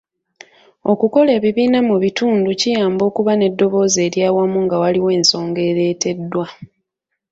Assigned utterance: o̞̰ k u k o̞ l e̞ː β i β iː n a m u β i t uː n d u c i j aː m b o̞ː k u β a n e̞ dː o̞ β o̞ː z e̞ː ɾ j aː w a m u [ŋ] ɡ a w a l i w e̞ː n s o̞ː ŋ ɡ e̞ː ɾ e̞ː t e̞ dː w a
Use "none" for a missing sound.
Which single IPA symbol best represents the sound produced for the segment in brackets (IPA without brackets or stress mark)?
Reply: ŋ